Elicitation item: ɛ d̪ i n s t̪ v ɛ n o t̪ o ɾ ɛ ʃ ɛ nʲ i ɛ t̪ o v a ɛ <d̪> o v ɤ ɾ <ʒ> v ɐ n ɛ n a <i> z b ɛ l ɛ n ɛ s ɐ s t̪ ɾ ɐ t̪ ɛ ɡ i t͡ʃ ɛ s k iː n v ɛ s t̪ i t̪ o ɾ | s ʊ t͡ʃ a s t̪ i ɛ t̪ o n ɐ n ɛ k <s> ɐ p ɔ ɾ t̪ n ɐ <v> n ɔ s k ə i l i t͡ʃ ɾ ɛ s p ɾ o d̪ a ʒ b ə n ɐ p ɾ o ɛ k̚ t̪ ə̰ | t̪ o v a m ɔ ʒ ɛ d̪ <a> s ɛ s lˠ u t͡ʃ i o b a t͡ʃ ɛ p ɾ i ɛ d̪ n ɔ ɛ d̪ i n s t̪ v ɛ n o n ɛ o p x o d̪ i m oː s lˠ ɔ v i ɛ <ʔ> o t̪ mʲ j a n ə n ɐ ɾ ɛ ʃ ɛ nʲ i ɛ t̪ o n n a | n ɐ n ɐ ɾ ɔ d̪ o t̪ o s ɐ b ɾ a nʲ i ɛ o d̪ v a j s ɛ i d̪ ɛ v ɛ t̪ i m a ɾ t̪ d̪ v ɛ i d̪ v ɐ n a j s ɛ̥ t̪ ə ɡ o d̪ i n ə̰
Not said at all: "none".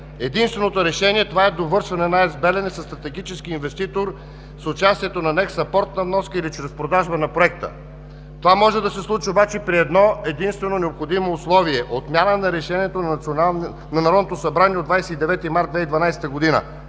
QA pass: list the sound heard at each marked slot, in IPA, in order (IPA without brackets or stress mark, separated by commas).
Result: d̪, ʃ, ɛ, s, v, ɐ, ʔ